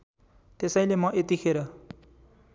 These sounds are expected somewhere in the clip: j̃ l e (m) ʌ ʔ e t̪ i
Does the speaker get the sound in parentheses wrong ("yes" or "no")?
no